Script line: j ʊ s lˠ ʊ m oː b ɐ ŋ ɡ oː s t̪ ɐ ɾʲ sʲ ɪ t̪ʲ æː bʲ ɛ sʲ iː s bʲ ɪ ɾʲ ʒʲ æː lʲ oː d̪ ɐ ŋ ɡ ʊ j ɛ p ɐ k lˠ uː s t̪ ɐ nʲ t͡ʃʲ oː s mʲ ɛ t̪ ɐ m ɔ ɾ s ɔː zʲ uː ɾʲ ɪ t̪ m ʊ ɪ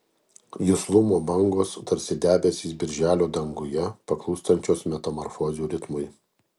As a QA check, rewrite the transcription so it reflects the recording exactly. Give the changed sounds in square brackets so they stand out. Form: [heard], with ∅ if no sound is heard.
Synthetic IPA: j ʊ s lˠ ʊ m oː b ɐ ŋ ɡ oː s t̪ ɐ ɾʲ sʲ ɪ [d̪ʲ] æː bʲ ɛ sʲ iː s bʲ ɪ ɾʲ ʒʲ æː lʲ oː d̪ ɐ ŋ ɡ ʊ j ɛ p ɐ k lˠ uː s t̪ ɐ nʲ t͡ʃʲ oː s mʲ ɛ t̪ ɐ m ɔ ɾ [f] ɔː zʲ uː ɾʲ ɪ t̪ m ʊ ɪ

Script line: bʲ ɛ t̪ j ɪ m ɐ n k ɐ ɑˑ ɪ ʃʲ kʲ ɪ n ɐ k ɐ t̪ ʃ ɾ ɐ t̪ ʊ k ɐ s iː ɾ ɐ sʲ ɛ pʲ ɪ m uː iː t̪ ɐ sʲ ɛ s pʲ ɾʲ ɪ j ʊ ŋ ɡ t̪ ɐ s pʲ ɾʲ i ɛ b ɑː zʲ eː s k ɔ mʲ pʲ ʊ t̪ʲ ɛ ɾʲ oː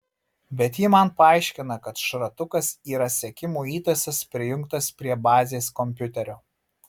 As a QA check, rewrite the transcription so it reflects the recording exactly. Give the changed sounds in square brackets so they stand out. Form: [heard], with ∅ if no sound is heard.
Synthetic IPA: bʲ ɛ t̪ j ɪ m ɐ n [p] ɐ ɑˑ ɪ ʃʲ kʲ ɪ n ɐ k ɐ t̪ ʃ ɾ ɐ t̪ ʊ k ɐ s iː ɾ ɐ sʲ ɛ [kʲ] ɪ m uː iː t̪ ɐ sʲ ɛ s pʲ ɾʲ ɪ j ʊ ŋ [k] t̪ ɐ s pʲ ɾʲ i ɛ b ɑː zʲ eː s k ɔ mʲ pʲ ʊ t̪ʲ ɛ ɾʲ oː

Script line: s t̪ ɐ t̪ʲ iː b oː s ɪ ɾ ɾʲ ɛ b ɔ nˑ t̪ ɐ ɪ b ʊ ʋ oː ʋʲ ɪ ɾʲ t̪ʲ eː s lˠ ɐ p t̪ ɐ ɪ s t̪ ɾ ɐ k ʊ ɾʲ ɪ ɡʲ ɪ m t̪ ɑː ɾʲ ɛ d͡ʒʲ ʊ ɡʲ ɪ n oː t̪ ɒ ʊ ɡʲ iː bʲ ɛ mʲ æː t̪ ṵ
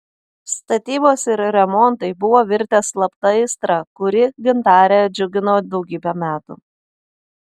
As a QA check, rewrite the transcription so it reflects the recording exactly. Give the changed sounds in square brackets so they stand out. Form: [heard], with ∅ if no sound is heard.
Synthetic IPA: s t̪ ɐ t̪ʲ iː b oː s ɪ ɾ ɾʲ ɛ [m] ɔ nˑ t̪ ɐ ɪ b ʊ ʋ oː ʋʲ ɪ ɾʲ t̪ʲ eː s lˠ ɐ p t̪ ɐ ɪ s t̪ ɾ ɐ k ʊ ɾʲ ɪ ɡʲ ɪ [n] t̪ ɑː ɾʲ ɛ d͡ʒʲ ʊ ɡʲ ɪ n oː [d̪] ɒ ʊ ɡʲ iː bʲ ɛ mʲ æː t̪ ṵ

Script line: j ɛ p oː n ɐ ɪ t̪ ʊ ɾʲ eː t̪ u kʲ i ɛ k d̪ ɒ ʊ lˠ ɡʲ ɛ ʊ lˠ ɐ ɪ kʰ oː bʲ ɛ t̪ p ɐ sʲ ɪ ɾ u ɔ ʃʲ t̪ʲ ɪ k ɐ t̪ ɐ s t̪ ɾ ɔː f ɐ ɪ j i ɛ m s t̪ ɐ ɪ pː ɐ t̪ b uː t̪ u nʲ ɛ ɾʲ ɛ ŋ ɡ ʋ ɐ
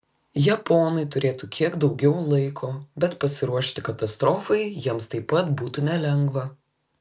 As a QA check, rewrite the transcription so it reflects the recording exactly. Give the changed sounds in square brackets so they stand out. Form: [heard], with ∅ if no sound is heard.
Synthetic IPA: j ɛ p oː n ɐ ɪ t̪ ʊ ɾʲ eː t̪ u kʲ i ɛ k d̪ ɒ ʊ [∅] ɡʲ ɛ ʊ lˠ ɐ ɪ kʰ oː bʲ ɛ t̪ p ɐ sʲ ɪ ɾ u ɔ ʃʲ t̪ʲ ɪ k ɐ t̪ ɐ s t̪ ɾ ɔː f ɐ ɪ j i ɛ m s t̪ ɐ ɪ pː ɐ t̪ b uː t̪ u nʲ ɛ [lʲ] ɛ ŋ ɡ ʋ ɐ

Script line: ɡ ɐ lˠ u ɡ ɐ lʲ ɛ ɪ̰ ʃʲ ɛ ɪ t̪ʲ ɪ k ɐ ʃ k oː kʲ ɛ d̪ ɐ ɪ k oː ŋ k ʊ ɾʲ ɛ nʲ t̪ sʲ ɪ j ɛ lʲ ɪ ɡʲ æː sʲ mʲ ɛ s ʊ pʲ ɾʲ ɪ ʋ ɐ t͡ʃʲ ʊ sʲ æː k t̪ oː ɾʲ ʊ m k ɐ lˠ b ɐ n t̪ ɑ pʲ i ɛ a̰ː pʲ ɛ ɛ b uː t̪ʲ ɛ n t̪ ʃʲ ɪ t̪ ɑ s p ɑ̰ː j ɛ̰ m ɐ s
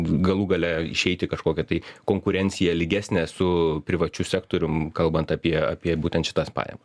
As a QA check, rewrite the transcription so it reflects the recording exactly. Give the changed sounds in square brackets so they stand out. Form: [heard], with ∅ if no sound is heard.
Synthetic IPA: ɡ ɐ lˠ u ɡ ɐ lʲ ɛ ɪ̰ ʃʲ ɛ ɪ t̪ʲ ɪ k ɐ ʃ k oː kʲ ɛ [t̪] ɐ ɪ k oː ŋ k ʊ ɾʲ ɛ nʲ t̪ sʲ ɪ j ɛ lʲ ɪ ɡʲ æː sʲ [nʲ] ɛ s ʊ pʲ ɾʲ ɪ ʋ ɐ t͡ʃʲ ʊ sʲ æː k t̪ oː ɾʲ ʊ m k ɐ lˠ b ɐ n t̪ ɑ pʲ i ɛ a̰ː pʲ [i] ɛ b uː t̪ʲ ɛ n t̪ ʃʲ ɪ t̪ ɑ s p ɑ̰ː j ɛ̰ m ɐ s

